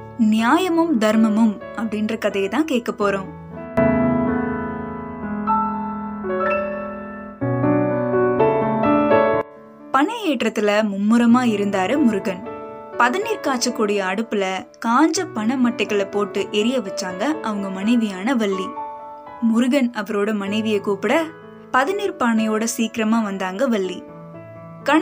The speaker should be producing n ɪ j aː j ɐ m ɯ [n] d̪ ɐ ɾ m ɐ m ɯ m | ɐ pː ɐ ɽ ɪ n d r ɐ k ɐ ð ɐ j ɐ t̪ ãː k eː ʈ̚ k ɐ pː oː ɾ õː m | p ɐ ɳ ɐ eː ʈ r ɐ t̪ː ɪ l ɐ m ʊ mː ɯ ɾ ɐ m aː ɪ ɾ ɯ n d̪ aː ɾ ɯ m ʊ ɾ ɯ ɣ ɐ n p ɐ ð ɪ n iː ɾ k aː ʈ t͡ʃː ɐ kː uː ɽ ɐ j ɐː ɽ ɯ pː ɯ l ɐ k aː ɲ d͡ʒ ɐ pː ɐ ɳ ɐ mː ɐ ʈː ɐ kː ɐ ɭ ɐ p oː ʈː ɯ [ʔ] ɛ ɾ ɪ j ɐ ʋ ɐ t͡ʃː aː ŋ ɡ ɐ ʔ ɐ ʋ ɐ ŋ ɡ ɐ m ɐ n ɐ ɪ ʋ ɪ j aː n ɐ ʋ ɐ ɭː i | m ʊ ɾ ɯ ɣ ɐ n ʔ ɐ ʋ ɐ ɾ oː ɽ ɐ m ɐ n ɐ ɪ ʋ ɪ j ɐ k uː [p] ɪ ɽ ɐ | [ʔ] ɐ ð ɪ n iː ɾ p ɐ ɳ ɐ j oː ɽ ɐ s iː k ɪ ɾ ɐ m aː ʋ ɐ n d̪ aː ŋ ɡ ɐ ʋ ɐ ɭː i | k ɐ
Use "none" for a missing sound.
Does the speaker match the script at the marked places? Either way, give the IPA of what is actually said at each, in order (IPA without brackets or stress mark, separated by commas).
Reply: m, ʔ, p, p